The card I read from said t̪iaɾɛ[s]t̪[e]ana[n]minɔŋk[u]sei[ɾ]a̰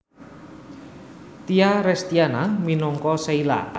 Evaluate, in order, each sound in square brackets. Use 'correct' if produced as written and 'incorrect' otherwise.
correct, incorrect, incorrect, incorrect, incorrect

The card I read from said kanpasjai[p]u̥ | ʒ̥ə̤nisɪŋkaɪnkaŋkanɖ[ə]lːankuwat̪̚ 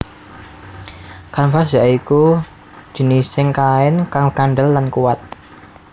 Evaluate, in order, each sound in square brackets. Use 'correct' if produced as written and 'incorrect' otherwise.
incorrect, correct

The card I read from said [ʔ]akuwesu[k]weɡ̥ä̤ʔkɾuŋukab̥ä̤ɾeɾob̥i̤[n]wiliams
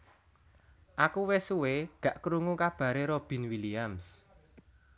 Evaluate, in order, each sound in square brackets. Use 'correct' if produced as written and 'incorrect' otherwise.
correct, incorrect, correct

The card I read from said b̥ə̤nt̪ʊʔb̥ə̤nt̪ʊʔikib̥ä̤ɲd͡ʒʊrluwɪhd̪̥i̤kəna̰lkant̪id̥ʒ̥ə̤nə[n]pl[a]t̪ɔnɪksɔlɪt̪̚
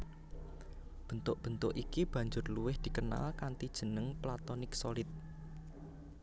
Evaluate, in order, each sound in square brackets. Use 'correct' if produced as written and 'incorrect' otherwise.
incorrect, correct

